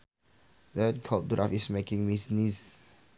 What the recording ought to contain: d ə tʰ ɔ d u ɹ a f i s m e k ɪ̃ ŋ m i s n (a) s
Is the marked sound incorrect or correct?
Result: incorrect